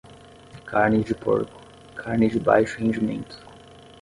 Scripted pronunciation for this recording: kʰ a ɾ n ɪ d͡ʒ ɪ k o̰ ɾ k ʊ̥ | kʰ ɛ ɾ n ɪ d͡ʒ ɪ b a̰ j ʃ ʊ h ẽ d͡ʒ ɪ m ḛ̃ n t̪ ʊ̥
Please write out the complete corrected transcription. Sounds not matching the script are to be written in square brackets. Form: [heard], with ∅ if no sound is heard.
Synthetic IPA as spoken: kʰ a ɾ n ɪ d͡ʒ ɪ [p] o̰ ɾ k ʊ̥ | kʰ [a] ɾ n ɪ d͡ʒ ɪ b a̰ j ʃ ʊ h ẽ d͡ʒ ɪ m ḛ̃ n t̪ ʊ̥